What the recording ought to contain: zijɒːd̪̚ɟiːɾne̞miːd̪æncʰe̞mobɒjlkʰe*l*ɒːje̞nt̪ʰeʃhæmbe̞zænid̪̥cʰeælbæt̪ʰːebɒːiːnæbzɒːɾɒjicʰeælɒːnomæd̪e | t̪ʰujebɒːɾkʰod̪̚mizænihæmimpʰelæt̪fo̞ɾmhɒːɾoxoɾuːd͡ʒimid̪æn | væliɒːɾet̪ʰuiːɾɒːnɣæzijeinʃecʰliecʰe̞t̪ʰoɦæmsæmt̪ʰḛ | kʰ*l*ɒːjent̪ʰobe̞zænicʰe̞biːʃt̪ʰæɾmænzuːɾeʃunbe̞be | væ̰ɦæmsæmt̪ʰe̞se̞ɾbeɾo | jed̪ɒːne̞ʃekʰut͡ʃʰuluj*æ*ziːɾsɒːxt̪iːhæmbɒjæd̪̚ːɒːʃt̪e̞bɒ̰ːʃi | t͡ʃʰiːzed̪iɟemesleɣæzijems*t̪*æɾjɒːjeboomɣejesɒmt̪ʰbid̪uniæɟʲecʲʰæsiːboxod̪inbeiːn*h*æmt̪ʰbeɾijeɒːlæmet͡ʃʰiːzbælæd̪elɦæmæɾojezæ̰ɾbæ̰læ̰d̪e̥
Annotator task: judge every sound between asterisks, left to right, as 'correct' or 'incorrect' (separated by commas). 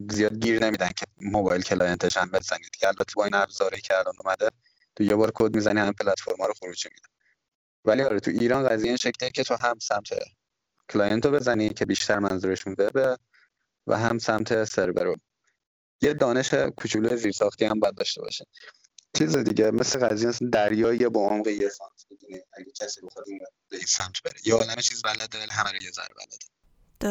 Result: correct, correct, incorrect, incorrect, incorrect